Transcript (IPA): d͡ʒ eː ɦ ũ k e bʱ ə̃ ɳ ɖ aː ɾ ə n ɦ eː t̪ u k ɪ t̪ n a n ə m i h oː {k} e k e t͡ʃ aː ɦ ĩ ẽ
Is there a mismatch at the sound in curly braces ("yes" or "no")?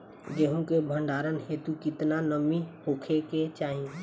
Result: yes